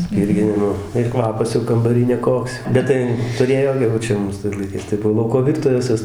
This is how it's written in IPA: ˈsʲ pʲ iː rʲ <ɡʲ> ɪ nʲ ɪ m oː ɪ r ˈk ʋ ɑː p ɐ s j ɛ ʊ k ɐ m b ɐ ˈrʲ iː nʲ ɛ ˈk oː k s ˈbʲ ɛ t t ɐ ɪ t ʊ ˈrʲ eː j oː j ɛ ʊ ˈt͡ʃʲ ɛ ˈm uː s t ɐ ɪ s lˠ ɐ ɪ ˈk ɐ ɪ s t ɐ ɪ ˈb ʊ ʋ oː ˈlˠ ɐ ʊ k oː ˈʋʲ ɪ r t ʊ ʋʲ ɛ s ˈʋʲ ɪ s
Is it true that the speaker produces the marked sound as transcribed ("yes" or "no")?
yes